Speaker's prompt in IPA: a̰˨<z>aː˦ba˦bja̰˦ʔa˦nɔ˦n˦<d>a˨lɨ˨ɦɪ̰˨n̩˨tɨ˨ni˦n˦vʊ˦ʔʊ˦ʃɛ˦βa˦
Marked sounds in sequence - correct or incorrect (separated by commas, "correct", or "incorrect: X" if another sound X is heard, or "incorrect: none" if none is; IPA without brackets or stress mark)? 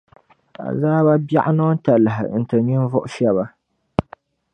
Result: correct, incorrect: t